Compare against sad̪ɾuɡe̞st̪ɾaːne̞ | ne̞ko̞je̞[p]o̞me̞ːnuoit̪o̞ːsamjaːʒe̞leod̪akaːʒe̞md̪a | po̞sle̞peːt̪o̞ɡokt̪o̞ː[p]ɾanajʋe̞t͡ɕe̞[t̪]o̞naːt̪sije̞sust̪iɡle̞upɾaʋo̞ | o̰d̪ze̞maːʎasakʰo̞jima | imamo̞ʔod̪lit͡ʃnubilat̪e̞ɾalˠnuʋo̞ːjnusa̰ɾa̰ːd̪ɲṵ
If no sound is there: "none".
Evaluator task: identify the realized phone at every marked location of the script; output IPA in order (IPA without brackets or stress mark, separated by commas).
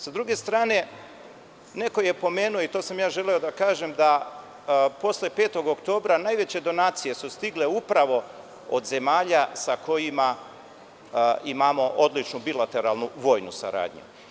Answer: p, b, d̪